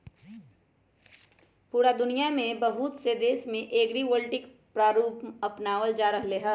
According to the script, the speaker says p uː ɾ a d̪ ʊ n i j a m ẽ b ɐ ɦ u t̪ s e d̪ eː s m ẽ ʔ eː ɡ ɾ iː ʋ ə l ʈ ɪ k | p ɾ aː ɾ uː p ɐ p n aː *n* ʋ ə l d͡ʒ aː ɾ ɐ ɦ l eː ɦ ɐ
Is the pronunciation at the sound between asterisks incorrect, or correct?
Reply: incorrect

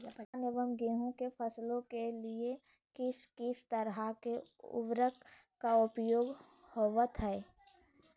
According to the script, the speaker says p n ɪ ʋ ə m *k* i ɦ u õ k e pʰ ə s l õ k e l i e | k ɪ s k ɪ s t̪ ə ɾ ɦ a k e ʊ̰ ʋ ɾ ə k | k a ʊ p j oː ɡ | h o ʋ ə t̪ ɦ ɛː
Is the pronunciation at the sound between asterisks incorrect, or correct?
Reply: incorrect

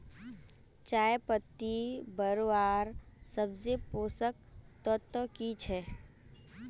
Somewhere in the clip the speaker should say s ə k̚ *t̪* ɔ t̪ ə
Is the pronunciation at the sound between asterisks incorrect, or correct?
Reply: correct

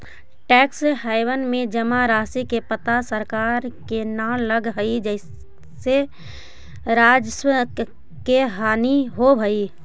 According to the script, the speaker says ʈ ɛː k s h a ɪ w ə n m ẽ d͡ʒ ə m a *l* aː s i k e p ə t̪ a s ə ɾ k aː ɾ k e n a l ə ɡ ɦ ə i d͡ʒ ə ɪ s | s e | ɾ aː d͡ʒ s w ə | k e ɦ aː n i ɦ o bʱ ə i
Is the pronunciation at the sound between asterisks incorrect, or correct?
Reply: incorrect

